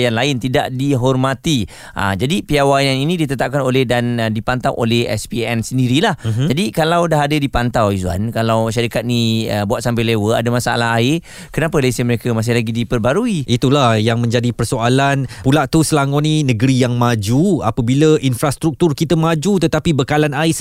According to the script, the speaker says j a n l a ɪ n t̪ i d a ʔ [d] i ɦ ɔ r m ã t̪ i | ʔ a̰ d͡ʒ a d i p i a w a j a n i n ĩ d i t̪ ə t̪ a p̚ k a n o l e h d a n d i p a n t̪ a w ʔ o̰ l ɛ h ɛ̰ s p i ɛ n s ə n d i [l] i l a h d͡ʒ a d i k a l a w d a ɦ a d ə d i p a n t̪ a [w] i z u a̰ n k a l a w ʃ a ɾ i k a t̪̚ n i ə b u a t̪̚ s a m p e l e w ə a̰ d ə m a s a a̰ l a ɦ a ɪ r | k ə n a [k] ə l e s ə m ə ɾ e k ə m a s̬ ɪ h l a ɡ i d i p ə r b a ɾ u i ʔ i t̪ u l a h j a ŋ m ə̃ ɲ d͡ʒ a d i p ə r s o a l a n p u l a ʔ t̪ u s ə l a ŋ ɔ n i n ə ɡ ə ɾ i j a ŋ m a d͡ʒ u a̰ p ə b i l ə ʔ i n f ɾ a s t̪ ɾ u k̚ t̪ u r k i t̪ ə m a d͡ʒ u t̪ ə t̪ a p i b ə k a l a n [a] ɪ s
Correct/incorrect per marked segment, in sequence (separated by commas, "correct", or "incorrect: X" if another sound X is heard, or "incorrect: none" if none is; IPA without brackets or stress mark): correct, incorrect: ɾ, correct, incorrect: p, correct